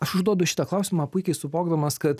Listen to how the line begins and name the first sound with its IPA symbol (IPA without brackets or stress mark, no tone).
ɐ